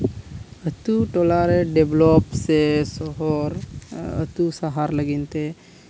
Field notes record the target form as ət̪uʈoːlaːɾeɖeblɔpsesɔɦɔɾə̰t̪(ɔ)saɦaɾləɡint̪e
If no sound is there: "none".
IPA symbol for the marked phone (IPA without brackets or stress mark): u